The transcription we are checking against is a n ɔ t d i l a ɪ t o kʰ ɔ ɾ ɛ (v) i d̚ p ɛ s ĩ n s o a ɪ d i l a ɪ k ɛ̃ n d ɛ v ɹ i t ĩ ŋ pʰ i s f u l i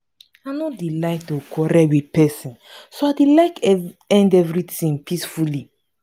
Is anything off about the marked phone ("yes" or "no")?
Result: yes